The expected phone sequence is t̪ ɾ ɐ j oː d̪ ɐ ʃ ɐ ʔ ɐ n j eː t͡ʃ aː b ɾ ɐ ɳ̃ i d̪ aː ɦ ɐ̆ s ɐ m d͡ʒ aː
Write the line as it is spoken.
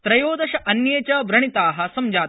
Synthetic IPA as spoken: t̪ ɾ ɐ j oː d̪ ɐ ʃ ɐ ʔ ɐ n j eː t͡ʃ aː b ɾ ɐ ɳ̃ i t̪ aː ɦ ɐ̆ s ɐ m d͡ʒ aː